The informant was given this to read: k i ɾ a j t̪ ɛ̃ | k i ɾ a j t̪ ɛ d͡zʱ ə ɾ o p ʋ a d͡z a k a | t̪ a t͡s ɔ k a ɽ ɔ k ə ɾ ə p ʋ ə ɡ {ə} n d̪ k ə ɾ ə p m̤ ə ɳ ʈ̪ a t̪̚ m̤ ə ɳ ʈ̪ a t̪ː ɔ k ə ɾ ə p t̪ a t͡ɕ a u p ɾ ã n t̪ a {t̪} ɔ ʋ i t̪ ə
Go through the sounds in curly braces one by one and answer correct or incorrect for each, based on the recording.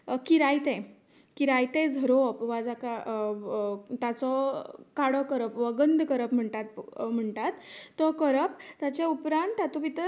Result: correct, correct

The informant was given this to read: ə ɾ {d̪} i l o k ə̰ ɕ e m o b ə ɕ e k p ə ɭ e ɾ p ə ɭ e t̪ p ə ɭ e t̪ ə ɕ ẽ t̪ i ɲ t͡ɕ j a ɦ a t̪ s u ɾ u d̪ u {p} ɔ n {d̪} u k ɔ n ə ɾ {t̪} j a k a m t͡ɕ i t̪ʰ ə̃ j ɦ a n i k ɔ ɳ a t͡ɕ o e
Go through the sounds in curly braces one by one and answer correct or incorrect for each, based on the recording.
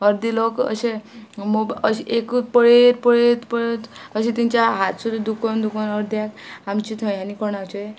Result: correct, incorrect: k, correct, incorrect: d̪

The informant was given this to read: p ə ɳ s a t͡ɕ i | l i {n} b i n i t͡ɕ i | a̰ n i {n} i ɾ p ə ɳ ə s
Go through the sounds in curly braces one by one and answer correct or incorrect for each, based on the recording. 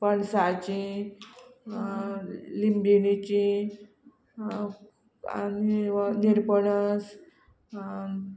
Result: incorrect: m, correct

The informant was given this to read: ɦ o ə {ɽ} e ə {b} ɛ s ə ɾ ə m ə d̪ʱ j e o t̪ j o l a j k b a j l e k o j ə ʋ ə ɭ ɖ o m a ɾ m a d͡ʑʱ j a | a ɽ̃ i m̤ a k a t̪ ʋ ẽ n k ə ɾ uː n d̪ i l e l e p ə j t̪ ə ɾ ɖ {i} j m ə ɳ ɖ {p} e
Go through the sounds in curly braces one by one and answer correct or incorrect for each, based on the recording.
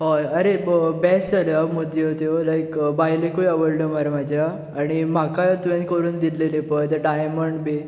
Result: incorrect: ɾ, correct, incorrect: a, incorrect: b

